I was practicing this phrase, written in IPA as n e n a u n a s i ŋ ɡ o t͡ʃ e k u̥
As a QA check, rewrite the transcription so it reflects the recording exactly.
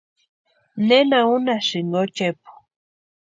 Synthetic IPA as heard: n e n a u n a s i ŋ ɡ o t͡ʃ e p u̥